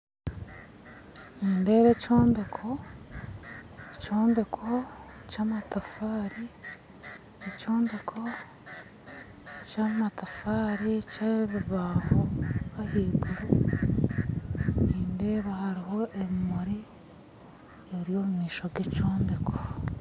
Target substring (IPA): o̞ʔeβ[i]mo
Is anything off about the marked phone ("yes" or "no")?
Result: no